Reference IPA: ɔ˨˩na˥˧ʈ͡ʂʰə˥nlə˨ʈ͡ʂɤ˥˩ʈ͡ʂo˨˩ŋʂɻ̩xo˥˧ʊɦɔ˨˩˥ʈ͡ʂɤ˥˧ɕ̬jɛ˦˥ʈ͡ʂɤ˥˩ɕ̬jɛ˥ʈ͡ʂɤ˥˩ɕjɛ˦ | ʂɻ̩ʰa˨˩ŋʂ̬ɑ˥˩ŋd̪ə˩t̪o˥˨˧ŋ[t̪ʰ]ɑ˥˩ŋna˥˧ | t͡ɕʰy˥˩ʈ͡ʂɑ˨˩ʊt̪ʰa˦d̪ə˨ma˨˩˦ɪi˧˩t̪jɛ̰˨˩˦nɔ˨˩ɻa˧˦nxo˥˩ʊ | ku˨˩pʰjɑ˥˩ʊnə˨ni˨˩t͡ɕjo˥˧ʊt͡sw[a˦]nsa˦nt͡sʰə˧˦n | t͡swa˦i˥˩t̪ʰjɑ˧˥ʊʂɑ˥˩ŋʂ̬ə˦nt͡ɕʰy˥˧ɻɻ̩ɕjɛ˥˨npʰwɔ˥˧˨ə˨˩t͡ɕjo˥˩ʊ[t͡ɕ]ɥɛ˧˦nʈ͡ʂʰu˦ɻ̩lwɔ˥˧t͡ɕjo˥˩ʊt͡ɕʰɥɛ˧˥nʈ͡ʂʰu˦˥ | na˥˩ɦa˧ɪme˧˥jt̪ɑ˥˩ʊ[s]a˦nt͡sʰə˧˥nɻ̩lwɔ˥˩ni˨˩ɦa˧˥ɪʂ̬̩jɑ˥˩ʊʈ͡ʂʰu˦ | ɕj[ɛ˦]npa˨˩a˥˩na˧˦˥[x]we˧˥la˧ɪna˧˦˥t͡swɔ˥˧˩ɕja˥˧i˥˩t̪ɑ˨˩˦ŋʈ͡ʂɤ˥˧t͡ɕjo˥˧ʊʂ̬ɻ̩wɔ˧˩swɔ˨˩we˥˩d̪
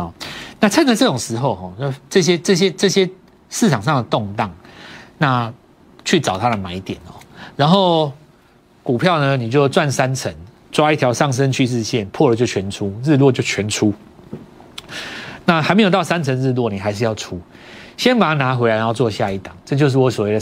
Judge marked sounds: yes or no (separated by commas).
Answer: no, no, no, yes, yes, yes